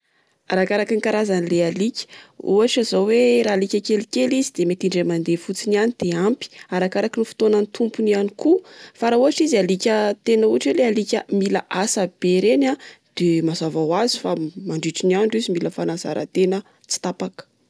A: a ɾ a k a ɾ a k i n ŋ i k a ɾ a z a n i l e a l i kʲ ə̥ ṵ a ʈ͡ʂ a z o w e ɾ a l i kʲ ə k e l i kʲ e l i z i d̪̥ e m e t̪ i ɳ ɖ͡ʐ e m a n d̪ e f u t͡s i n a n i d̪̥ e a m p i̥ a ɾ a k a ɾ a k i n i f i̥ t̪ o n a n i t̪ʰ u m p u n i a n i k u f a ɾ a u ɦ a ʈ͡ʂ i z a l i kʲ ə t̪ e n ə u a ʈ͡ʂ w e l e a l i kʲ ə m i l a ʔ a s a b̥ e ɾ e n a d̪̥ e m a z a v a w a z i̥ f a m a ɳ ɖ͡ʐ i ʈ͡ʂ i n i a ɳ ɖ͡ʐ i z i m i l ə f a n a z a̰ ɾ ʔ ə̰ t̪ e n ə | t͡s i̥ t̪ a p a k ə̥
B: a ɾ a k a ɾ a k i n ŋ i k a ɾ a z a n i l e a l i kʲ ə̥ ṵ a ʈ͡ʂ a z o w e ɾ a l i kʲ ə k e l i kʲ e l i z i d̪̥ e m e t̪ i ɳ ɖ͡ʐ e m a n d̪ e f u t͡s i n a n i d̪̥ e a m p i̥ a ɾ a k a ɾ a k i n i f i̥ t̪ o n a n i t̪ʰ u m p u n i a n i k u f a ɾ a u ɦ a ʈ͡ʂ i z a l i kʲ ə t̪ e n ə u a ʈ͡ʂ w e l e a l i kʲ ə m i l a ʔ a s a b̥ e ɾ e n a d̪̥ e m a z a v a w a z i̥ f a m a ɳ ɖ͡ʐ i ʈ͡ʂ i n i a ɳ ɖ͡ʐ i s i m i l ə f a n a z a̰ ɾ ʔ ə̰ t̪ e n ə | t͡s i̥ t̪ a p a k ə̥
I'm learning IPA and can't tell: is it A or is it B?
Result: A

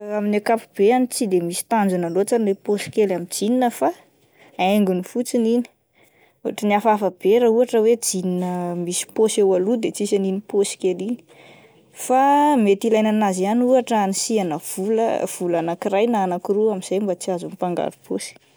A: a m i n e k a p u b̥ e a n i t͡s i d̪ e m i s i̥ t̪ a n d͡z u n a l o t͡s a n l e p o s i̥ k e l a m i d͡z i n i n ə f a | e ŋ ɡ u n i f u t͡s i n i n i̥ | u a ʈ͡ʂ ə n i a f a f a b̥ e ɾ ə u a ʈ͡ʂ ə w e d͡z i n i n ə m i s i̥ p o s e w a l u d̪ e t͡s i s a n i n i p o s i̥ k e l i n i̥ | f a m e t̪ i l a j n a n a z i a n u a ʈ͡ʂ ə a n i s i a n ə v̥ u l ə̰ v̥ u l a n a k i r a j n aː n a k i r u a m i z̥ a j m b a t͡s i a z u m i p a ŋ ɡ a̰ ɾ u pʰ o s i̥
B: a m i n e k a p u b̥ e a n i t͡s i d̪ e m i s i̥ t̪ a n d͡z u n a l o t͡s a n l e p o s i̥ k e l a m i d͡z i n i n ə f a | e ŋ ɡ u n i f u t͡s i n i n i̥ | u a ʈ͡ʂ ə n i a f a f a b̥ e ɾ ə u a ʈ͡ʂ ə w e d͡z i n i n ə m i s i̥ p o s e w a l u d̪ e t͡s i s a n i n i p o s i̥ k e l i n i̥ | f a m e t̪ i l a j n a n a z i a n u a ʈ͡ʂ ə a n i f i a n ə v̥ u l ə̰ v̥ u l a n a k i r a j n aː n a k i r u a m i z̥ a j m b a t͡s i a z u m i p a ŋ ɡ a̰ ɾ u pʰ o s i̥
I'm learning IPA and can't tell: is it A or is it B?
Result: A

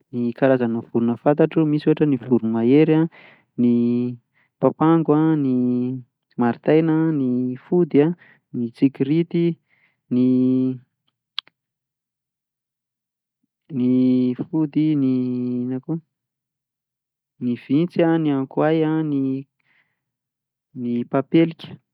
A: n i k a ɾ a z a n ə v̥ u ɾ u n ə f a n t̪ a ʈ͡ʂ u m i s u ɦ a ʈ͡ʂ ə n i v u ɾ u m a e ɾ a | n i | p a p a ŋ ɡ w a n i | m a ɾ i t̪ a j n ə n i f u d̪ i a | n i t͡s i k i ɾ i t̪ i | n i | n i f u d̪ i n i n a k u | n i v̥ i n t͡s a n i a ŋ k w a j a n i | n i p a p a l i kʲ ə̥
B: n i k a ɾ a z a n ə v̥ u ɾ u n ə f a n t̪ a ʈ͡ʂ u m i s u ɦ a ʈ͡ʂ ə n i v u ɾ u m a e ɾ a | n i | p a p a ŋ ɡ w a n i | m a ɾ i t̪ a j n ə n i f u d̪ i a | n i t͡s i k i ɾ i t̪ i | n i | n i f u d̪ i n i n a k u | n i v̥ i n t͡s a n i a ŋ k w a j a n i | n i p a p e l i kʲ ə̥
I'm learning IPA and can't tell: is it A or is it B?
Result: B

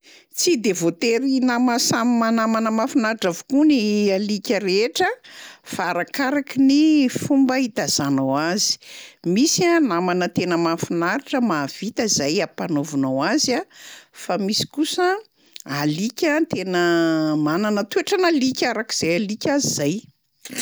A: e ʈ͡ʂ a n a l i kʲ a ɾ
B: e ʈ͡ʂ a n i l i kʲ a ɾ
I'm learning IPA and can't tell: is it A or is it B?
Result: A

